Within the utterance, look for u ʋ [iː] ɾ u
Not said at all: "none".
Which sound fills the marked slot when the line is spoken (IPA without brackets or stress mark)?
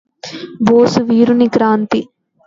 iː